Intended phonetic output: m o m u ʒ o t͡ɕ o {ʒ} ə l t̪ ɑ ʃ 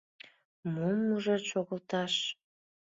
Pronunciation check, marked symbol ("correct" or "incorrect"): incorrect